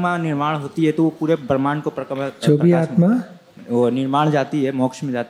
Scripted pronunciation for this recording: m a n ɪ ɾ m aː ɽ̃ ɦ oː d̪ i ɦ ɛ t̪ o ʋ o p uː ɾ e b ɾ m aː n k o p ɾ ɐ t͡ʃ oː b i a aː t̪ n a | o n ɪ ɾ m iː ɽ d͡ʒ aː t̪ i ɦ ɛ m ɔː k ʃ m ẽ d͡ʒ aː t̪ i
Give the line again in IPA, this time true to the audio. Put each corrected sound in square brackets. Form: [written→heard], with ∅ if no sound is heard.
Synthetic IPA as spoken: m a n ɪ ɾ m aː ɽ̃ ɦ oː [d̪→t̪] i ɦ ɛ t̪ o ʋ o p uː ɾ e b ɾ m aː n k o p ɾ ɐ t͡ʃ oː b i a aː t̪ [n→m] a | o n ɪ ɾ m [iː→aː] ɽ d͡ʒ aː t̪ i ɦ ɛ m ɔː k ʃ m ẽ d͡ʒ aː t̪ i